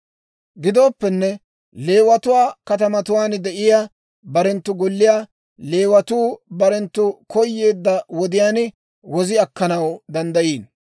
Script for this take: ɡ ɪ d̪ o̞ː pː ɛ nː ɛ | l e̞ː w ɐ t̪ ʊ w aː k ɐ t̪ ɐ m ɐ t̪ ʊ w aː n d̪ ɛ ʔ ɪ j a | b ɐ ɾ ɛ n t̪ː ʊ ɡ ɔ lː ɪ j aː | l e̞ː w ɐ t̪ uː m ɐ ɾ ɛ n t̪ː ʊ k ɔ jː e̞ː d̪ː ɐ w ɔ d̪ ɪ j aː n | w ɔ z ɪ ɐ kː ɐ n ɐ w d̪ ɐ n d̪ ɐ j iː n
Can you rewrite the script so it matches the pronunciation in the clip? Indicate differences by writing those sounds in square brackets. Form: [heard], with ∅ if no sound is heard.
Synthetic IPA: ɡ ɪ d̪ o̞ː pː ɛ nː ɛ | l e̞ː w ɐ t̪ ʊ w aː k ɐ t̪ ɐ m ɐ t̪ ʊ w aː n d̪ ɛ ʔ ɪ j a | b ɐ ɾ ɛ n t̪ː ʊ ɡ ɔ lː ɪ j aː | l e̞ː w ɐ t̪ uː [b] ɐ ɾ ɛ n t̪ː ʊ k ɔ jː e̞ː d̪ː ɐ w ɔ d̪ ɪ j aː n | w ɔ z ɪ ɐ kː ɐ n ɐ w d̪ ɐ n d̪ ɐ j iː n